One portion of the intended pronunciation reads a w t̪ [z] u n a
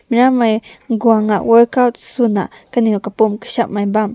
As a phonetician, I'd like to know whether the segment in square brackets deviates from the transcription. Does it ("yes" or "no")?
yes